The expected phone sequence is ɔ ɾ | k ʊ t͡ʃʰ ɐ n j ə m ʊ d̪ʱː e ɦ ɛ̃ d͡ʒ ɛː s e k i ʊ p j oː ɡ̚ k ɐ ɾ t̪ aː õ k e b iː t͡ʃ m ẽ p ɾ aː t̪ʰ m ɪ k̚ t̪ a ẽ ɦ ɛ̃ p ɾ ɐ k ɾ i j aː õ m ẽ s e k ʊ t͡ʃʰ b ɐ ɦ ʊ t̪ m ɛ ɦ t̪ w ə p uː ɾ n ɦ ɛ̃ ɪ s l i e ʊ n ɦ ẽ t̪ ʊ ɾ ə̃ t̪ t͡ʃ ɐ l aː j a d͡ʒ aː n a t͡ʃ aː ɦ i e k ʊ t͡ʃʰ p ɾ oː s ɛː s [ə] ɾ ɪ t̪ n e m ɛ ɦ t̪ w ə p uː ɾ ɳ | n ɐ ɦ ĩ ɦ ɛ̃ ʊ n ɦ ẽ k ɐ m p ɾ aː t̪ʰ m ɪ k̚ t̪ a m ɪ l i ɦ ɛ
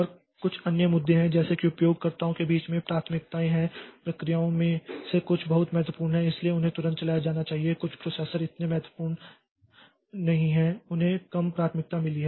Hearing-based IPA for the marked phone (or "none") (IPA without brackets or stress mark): ə